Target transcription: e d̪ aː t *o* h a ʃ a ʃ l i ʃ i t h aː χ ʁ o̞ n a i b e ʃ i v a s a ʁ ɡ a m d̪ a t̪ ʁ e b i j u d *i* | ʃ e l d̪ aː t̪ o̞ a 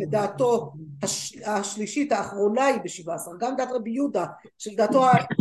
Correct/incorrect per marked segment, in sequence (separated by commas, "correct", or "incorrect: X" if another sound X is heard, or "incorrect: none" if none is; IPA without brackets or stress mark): correct, incorrect: a